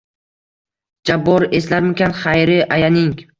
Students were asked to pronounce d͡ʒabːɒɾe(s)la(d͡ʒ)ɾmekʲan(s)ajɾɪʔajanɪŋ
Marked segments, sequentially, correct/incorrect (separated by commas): correct, incorrect, incorrect